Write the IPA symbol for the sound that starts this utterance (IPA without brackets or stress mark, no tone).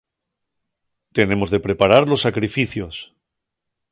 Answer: t̪